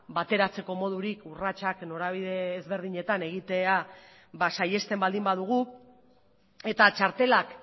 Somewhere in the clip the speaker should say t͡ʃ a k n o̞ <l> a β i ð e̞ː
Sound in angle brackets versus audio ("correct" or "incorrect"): incorrect